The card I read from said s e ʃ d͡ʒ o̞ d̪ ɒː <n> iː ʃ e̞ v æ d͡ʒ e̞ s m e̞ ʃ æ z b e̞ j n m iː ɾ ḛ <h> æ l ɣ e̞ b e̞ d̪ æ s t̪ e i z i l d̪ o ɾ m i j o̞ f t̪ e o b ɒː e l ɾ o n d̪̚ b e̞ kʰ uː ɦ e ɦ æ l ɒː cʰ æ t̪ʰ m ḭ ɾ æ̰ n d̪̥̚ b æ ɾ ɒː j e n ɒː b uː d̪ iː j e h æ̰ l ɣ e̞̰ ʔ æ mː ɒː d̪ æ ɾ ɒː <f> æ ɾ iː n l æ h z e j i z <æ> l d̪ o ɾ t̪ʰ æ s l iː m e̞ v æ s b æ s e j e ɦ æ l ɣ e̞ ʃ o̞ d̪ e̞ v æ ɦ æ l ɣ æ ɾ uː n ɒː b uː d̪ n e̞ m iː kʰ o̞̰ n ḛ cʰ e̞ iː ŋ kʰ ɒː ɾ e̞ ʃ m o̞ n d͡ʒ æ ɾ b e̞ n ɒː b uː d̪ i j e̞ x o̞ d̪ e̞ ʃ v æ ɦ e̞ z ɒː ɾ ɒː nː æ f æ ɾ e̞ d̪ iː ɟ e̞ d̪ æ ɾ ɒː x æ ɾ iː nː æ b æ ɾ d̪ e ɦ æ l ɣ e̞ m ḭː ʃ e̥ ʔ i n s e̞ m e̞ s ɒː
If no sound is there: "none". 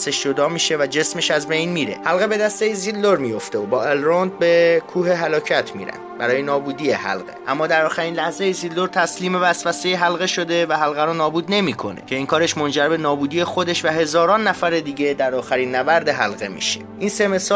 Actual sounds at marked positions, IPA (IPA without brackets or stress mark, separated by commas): m, h, x, i